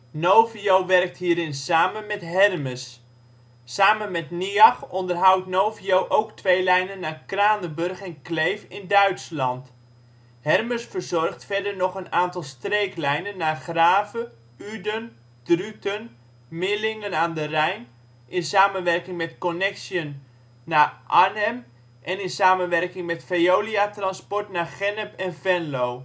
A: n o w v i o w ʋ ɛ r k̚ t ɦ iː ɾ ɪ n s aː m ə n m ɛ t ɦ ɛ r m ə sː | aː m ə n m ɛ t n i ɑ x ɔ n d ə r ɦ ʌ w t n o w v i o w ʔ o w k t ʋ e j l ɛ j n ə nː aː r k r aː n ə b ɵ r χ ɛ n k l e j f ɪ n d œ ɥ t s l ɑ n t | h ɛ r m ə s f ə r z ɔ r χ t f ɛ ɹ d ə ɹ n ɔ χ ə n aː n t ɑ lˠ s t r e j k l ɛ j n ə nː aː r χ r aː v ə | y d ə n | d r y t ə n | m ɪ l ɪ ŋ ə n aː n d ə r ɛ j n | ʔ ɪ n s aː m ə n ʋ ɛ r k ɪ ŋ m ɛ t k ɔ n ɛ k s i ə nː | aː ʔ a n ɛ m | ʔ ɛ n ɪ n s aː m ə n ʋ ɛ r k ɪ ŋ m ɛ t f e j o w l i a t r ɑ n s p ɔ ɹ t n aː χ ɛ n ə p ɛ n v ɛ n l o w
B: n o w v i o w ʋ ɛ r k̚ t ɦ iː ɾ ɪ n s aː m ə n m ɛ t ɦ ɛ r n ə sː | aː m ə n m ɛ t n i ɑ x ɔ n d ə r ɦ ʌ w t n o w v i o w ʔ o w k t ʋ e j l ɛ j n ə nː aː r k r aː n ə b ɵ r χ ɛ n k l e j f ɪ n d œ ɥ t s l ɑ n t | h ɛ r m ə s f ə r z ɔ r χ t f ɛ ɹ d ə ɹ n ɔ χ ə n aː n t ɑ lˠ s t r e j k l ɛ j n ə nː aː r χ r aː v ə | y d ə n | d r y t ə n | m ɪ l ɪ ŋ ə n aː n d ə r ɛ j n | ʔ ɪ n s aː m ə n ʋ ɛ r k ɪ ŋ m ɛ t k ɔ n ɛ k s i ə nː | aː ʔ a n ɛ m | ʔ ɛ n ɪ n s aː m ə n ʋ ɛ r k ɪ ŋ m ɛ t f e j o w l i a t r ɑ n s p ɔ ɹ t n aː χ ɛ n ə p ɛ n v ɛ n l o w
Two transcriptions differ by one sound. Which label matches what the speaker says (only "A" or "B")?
A